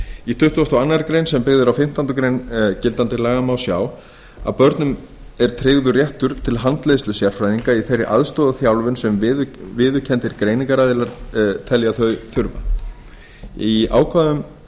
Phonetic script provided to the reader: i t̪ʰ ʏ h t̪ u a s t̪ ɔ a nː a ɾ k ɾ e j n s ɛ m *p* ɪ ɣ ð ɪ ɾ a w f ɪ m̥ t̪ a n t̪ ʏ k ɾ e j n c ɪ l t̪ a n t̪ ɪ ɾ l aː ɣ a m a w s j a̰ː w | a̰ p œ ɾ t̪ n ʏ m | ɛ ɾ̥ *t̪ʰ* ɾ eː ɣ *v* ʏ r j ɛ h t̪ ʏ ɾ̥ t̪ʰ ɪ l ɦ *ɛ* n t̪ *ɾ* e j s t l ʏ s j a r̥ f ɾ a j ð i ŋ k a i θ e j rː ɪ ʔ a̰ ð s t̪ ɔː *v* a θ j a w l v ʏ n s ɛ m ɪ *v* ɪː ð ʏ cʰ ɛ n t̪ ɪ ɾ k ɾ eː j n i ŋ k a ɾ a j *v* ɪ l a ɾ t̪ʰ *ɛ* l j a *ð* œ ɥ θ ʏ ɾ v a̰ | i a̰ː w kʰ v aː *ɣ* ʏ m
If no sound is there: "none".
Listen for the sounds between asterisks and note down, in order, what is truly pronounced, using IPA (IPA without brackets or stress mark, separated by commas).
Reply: p, t̪ʰ, ð, a, l, ð, v, ð, ɛ, θ, ð